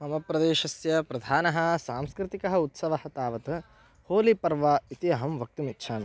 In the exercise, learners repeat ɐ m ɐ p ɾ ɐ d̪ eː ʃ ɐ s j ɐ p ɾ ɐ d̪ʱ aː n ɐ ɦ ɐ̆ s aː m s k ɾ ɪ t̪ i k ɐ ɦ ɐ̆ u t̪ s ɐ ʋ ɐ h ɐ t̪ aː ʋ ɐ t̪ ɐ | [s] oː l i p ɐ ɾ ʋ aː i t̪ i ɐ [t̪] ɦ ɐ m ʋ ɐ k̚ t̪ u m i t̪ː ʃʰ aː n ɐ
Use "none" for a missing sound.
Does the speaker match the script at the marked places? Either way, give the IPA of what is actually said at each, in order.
h, none

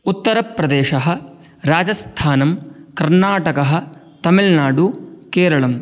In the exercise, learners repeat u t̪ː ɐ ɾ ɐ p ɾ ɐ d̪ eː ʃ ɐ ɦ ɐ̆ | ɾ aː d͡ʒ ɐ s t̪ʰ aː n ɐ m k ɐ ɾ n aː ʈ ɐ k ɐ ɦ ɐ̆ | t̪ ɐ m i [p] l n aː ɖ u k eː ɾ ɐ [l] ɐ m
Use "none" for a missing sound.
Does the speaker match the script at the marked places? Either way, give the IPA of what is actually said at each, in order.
none, ɭ

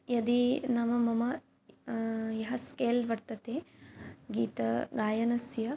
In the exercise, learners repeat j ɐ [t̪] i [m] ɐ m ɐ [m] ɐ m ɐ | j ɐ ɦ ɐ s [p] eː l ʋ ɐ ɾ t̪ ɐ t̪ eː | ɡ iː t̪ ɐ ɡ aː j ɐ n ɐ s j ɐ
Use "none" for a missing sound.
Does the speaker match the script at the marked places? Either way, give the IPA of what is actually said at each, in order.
d̪, n, m, k

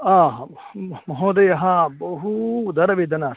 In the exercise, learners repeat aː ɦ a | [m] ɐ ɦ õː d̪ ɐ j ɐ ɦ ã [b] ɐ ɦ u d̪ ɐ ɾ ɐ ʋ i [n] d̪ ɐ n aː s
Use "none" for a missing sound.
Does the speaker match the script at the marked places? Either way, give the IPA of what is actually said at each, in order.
m, b, none

